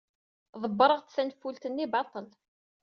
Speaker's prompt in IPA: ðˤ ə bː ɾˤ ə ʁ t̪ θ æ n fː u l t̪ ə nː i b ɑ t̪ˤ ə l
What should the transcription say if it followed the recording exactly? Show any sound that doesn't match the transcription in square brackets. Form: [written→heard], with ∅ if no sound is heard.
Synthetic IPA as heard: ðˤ ə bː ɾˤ ə ʁ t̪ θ æ n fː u l t̪ ə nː i b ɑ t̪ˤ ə l